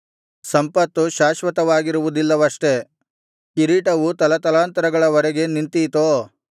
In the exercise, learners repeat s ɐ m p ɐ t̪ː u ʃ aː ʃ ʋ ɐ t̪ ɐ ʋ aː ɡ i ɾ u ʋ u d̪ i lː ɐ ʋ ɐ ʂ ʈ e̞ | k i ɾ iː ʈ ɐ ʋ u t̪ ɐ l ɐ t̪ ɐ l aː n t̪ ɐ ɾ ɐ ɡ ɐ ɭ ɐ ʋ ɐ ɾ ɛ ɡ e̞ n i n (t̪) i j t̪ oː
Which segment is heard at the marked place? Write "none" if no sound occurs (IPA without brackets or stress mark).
t̪